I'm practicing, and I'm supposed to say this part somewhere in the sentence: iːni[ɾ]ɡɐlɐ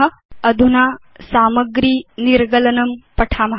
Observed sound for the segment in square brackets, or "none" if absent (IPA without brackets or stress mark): ɾ